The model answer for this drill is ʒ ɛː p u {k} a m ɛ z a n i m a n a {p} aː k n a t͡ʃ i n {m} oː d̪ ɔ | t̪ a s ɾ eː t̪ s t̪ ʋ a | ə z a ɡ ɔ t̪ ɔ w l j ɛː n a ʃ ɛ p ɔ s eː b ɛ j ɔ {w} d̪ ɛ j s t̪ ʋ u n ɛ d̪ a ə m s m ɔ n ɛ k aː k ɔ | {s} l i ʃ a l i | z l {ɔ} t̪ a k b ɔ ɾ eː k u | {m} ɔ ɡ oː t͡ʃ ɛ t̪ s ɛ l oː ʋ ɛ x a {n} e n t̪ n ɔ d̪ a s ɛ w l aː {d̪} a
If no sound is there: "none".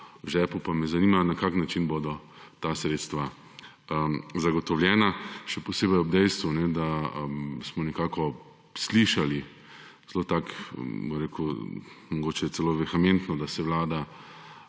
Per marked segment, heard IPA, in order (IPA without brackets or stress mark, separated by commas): p, k, b, b, s, o, m, m, d̪